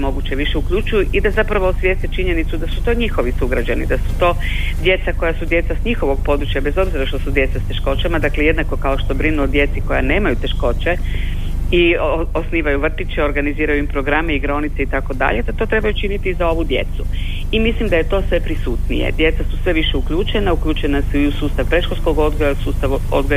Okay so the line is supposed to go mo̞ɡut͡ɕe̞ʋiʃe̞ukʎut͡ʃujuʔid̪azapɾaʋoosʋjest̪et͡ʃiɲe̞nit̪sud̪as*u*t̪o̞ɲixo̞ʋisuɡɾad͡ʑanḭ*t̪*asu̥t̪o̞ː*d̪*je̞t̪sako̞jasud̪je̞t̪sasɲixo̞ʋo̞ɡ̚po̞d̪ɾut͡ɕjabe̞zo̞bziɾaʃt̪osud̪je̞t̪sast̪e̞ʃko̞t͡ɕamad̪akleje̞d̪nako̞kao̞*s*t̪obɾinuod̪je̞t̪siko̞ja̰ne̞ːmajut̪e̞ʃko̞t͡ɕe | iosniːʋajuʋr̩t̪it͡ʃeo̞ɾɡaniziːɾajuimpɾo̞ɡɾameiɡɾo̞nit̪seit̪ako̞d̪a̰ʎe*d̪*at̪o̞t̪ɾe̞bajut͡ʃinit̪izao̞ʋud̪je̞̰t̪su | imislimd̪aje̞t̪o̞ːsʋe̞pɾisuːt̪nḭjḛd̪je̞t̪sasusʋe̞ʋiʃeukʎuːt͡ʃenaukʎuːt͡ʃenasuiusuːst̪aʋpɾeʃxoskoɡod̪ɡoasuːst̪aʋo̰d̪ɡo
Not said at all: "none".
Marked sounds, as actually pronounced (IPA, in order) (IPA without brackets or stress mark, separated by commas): u, d̪, d̪, ʃ, d̪